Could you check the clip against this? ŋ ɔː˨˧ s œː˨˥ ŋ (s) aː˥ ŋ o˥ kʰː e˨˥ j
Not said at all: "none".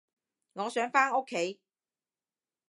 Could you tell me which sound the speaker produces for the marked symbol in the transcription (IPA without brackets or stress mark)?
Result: f